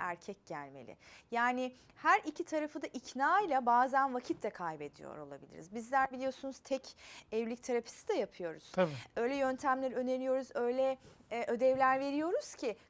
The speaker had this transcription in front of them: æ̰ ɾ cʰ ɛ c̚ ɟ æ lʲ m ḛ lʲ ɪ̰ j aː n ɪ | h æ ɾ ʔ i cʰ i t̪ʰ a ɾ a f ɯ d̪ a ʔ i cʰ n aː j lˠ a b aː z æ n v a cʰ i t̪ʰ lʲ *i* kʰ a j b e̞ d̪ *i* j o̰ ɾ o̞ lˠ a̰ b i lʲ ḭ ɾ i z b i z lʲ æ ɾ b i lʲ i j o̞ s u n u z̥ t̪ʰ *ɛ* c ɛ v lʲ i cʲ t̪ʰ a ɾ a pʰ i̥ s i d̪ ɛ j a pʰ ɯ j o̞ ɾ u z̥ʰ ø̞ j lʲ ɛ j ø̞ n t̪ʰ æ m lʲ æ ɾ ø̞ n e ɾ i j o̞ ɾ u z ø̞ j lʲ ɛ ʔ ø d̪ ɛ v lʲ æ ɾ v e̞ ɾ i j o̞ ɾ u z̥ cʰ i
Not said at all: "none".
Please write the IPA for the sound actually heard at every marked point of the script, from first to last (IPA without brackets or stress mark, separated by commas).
ɛ, i, ɛ